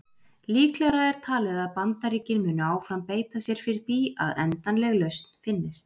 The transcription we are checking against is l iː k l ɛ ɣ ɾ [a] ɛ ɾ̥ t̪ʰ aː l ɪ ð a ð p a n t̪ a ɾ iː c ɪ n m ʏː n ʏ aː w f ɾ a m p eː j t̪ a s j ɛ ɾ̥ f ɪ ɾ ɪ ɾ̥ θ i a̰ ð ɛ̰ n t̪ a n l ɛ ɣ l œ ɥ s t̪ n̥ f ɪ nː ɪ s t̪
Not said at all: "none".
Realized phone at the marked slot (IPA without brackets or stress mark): a